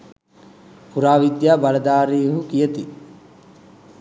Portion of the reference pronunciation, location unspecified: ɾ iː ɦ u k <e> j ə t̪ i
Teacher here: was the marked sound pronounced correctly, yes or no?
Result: no